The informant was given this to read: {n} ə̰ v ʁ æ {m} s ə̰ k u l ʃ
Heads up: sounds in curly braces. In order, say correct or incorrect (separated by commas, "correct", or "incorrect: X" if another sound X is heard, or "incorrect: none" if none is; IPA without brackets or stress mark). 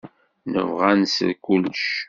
correct, incorrect: n